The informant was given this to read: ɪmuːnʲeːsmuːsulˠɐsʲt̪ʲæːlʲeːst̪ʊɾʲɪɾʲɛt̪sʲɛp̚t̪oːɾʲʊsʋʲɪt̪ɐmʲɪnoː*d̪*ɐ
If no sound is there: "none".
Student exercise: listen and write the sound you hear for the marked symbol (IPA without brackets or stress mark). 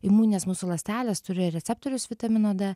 d̪